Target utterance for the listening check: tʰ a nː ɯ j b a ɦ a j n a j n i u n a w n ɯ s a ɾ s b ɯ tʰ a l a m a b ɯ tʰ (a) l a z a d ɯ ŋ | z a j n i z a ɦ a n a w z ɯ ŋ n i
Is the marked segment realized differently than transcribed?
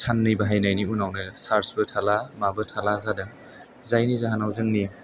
no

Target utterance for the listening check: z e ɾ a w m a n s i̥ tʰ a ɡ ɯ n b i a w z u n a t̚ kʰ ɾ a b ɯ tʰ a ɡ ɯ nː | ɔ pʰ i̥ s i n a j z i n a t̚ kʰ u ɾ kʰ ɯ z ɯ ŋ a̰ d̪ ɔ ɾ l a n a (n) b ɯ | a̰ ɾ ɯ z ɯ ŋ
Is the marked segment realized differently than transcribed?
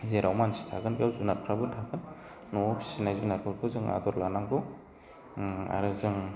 yes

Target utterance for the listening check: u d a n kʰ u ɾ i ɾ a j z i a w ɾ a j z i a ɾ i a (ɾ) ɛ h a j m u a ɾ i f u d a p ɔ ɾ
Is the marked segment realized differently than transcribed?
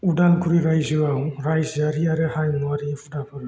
no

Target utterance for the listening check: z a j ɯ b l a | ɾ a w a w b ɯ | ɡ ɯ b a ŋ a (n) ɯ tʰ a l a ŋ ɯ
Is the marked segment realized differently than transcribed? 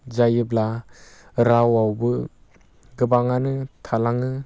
no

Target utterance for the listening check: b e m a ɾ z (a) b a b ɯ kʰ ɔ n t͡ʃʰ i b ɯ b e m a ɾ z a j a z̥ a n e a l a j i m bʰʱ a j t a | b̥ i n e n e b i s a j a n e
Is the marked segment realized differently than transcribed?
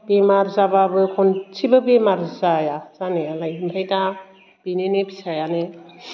no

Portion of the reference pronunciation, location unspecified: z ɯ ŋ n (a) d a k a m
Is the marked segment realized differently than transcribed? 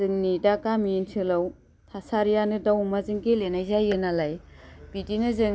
yes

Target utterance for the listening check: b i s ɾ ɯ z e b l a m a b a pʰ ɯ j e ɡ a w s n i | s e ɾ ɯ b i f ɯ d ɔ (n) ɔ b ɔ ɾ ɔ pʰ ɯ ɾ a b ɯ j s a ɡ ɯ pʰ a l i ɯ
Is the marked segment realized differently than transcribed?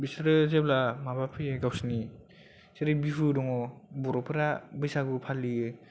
yes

